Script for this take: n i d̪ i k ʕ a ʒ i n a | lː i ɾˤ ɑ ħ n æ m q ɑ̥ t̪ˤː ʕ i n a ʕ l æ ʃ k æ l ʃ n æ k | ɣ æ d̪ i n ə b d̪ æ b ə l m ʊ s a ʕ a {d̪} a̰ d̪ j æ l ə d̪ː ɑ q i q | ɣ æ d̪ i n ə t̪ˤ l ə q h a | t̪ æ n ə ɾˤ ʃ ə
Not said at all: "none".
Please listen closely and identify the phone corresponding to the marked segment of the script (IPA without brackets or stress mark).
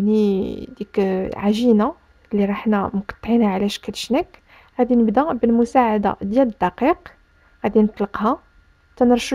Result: d̪